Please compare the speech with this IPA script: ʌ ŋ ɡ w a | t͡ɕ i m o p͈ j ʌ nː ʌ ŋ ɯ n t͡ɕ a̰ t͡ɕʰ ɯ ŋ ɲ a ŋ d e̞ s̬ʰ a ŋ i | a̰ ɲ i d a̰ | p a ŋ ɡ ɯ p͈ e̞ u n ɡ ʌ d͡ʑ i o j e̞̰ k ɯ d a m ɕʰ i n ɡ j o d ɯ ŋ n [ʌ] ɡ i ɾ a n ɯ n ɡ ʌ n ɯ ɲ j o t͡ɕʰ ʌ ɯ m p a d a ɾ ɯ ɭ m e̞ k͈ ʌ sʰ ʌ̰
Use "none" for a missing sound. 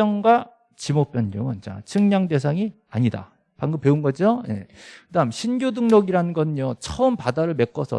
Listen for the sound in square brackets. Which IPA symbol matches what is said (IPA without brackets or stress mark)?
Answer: ʌ